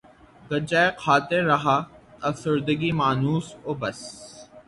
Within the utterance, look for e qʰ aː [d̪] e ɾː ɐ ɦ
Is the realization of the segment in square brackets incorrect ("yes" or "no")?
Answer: yes